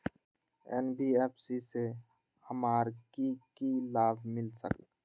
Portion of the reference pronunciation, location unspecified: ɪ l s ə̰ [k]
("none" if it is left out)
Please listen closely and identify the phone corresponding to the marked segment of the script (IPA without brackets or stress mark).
k